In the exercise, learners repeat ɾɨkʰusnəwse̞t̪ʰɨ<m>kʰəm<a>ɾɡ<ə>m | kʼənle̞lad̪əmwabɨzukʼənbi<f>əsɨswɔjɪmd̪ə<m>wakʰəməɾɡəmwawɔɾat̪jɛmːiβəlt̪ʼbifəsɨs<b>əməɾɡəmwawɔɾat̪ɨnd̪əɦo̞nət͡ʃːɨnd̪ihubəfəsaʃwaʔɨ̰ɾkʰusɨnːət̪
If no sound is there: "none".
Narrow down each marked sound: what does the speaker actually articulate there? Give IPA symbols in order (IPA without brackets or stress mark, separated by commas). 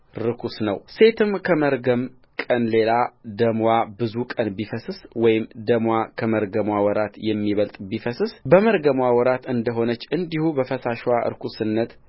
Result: m, ə, ə, f, m, b